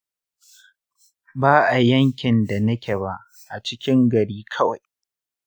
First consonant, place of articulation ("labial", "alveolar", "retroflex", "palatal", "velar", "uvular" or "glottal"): labial